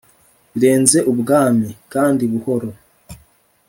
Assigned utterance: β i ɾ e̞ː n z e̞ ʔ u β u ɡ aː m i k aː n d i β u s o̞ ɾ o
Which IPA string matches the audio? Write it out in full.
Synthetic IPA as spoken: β i ɾ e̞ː n z e̞ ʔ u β u ɡ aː m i k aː n d i β u h o̞ ɾ o

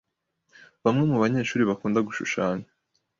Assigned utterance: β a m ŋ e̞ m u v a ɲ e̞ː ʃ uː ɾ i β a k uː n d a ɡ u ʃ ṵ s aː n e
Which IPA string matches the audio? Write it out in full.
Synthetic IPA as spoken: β a m ŋ e̞ m u β a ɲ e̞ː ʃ uː ɾ i β a k uː n d a ɡ u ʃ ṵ ʃ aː ɲ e

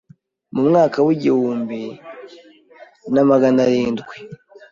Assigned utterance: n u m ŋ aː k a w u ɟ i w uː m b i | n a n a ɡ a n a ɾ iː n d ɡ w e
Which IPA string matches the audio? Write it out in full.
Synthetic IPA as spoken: m u m ŋ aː k a w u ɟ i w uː m b i | n a m a ɡ a n a ɾ iː n d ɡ w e

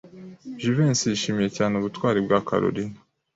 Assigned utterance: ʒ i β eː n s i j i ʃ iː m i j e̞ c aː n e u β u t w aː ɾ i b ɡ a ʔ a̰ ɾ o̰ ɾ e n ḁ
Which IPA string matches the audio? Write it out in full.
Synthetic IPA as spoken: ʒ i v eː n s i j i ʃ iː m i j e̞ c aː n e u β u t w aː ɾ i b ɡ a k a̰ ɾ o̰ ɾ i n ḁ

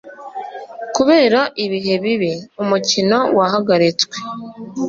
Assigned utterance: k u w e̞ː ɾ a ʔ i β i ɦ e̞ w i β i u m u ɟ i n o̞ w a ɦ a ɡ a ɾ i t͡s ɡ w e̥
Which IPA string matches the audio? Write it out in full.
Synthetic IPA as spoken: k u β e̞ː ɾ a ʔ i β i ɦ e̞ β i β i u m u c i n o̞ w a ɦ a ɡ a ɾ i t͡s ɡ w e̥

